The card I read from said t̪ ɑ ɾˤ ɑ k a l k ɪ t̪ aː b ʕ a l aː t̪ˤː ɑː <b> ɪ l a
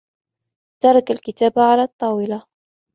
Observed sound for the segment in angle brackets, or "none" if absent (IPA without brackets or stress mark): w